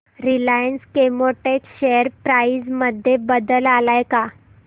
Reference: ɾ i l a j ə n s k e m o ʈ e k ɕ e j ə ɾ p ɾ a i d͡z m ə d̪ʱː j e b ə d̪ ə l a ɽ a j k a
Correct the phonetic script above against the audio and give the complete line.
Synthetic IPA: ɾ i l a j ə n s k e m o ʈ e k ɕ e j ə ɾ p ɾ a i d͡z m ə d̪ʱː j e b ə d̪ ə l a l a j k a